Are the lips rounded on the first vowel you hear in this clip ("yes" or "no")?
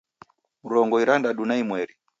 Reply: yes